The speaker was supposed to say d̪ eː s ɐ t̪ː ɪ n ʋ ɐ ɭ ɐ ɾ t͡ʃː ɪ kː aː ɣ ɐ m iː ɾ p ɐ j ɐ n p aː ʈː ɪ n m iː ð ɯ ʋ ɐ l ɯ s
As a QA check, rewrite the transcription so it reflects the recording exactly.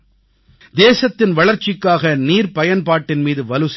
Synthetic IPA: d̪ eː s ɐ t̪ː ɪ n ʋ ɐ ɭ ɐ ɾ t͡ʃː ɪ kː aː ɣ ɐ n iː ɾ p ɐ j ɐ n p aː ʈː ɪ n m iː ð ɯ ʋ ɐ l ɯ s